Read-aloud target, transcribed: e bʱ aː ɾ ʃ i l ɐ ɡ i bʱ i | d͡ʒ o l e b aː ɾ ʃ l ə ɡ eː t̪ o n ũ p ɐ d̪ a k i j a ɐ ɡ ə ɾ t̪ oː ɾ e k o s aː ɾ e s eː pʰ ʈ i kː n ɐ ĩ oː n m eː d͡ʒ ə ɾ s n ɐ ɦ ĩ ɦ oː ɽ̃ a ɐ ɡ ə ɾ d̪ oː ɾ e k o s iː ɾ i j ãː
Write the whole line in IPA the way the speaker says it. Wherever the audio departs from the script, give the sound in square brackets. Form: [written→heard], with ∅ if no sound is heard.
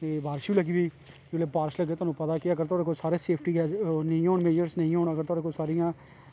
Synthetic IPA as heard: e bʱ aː ɾ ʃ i l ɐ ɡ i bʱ i | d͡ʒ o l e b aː ɾ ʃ l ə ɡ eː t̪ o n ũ p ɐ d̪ a k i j a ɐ ɡ ə ɾ t̪ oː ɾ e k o s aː ɾ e s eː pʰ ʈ i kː n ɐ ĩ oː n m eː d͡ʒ ə ɾ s n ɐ ɦ ĩ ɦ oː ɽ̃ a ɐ ɡ ə ɾ [d̪→t̪] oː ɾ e k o s [iː→aː] ɾ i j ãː